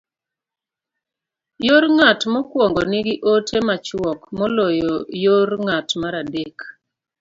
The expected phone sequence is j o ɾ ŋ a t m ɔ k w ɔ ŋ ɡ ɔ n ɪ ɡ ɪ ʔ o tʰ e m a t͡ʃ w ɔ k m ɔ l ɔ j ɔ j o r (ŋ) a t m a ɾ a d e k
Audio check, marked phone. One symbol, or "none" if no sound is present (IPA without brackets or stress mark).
ŋ